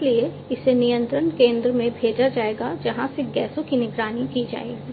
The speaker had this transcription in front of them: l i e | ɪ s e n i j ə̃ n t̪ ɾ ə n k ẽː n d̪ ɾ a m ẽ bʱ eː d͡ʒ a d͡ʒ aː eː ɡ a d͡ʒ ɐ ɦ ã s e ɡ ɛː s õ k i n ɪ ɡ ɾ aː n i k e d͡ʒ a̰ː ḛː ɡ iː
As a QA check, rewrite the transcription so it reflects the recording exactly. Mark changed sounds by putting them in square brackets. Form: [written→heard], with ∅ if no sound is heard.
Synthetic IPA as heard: l i e | ɪ s e n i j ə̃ n t̪ ɾ ə n k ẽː n d̪ ɾ [a→ə] m ẽ bʱ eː d͡ʒ a d͡ʒ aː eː ɡ a d͡ʒ ɐ ɦ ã s e ɡ ɛː s õ k i n ɪ ɡ ɾ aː n i k [e→i] d͡ʒ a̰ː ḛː ɡ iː